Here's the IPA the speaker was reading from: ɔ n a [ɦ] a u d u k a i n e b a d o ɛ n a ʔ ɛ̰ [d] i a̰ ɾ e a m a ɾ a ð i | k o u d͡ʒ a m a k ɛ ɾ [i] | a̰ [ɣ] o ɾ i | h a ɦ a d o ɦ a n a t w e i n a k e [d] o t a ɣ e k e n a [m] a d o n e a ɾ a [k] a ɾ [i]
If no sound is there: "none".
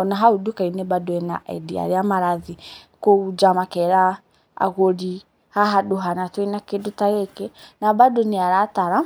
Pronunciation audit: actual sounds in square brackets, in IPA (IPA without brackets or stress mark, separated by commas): ɦ, d, a, ɣ, d, b, t, a